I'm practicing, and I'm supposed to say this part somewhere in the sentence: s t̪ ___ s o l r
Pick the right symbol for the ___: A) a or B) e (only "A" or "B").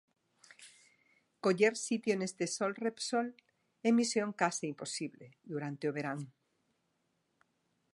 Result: B